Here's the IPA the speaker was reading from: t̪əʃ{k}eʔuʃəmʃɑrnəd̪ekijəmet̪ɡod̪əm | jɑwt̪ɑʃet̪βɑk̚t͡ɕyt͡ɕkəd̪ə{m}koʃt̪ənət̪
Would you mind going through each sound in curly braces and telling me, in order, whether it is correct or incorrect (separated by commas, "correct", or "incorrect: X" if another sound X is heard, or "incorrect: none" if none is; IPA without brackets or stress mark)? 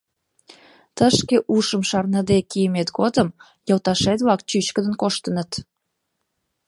correct, incorrect: n